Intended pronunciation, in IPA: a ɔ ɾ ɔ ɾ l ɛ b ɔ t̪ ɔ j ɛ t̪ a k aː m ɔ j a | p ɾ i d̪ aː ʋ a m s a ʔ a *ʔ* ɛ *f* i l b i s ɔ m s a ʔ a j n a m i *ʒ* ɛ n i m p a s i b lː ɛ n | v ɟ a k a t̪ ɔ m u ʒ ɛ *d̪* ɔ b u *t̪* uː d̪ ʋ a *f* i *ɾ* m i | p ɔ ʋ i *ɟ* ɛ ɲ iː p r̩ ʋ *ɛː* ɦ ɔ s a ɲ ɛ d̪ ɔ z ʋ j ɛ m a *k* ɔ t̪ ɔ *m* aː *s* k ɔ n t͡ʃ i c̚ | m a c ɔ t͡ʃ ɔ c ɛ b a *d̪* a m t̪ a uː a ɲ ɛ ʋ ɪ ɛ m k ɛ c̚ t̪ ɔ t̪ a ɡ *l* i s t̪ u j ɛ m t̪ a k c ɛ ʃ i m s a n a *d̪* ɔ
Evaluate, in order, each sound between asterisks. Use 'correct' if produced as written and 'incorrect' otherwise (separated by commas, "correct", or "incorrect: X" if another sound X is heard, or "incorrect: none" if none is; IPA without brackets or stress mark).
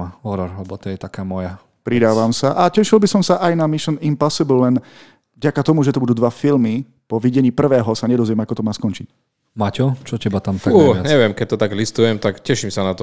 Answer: incorrect: c, incorrect: ʃ, incorrect: ʃ, incorrect: t̪, incorrect: d̪, correct, incorrect: l, correct, correct, correct, correct, correct, incorrect: t̪, correct, incorrect: t̪